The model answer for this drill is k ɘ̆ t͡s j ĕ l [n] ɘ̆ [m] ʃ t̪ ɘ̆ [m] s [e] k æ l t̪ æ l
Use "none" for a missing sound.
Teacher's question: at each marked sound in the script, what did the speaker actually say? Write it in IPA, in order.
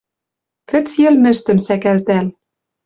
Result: m, none, m, æ

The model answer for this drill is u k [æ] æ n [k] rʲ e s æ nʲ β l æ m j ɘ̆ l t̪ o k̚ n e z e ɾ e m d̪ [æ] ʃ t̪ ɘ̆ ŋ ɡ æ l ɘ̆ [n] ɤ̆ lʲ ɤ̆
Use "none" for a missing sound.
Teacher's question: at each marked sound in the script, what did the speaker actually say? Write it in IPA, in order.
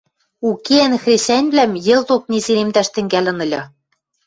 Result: e, x, æ, n

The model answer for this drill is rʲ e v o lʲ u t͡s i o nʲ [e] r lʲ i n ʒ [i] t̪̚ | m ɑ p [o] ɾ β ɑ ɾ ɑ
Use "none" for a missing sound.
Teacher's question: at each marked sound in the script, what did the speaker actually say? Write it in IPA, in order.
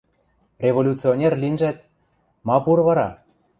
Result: e, æ, u

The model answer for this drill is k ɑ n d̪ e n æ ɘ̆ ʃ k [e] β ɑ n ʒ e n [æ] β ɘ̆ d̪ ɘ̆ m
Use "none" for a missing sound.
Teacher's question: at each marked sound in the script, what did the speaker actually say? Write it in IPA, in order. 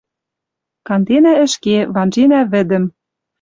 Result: e, æ

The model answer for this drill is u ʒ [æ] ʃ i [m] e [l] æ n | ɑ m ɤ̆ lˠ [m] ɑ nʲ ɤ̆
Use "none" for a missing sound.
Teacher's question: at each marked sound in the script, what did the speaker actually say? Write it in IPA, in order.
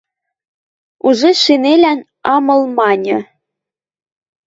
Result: e, n, l, m

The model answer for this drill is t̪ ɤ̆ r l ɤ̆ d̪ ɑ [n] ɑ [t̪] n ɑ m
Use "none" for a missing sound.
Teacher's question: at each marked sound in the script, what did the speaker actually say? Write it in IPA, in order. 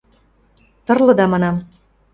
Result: m, none

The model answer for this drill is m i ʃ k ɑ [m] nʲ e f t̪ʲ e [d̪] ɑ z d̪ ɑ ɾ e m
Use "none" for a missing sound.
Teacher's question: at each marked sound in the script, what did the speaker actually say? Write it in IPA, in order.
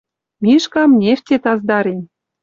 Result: m, t̪

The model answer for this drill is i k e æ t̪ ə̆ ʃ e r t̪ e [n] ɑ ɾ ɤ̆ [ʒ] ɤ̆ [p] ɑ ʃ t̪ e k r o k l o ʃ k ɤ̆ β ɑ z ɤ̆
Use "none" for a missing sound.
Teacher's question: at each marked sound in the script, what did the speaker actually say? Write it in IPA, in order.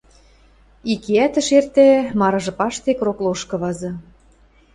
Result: m, ʒ, p

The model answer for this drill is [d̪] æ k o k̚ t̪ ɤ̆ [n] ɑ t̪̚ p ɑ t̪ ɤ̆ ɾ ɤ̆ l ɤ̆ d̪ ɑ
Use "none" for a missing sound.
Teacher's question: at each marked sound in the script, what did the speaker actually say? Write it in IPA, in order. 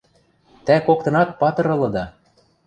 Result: t̪, n

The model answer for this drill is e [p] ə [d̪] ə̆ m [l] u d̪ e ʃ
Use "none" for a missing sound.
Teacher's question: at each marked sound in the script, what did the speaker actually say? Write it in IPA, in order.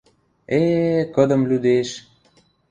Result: k, d̪, l

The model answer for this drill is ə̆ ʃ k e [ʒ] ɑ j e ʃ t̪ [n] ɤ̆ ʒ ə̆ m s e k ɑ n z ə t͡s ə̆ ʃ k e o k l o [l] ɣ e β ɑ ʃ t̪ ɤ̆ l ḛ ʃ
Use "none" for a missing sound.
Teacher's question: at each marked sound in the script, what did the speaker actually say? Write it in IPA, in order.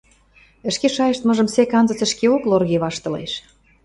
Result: ʃ, m, r

